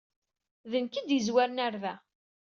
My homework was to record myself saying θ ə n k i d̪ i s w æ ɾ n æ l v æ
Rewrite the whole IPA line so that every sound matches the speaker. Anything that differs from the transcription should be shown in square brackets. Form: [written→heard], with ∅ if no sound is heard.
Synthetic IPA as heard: [θ→ð] ə n k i d̪ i [s→z] w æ ɾ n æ [l→ɾ] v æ